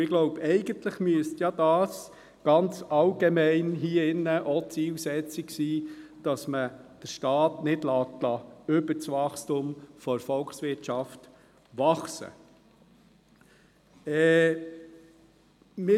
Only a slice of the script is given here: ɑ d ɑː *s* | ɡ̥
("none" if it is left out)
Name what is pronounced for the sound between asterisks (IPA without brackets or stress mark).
s